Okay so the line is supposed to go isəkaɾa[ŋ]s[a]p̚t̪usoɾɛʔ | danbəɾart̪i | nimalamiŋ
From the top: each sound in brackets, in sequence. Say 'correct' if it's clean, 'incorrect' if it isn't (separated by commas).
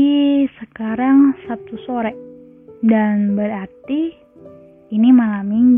correct, correct